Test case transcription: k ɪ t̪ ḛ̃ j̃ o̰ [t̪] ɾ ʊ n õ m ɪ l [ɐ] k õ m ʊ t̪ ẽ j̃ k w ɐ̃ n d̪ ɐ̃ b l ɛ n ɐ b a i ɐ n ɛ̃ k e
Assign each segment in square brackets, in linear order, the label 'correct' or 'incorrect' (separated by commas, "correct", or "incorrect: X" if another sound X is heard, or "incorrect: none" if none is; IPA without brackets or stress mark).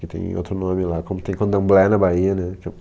correct, incorrect: a